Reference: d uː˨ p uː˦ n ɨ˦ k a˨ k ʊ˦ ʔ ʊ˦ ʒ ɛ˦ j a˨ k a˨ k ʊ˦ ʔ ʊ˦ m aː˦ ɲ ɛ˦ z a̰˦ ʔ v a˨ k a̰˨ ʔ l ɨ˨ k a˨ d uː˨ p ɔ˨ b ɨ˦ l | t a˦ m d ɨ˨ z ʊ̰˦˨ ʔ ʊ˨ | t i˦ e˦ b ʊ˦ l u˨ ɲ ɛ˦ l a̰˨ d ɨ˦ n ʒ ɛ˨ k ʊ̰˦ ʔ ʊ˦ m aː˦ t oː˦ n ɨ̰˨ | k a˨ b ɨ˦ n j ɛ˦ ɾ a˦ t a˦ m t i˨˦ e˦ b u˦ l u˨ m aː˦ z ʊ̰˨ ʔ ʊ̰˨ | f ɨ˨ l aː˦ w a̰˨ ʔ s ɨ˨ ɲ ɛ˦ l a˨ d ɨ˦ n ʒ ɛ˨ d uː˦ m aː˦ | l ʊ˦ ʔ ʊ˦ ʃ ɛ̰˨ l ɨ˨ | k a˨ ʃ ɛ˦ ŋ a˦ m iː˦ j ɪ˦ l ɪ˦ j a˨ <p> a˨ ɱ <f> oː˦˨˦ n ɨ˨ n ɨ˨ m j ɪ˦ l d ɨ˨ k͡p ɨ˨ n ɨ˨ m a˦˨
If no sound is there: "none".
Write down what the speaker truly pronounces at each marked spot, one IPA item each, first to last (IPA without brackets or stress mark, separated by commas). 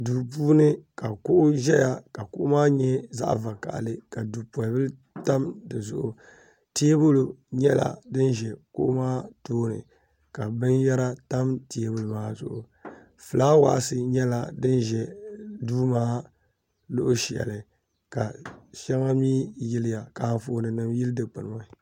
k, f